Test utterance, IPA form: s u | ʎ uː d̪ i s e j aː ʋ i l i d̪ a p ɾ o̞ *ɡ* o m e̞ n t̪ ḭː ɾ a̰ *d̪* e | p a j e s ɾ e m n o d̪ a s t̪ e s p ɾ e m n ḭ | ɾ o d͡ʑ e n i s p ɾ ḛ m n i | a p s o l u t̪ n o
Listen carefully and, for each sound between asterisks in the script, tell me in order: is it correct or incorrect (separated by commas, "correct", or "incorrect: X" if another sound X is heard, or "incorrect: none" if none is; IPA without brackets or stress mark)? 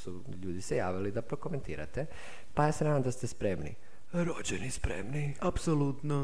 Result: incorrect: k, incorrect: t̪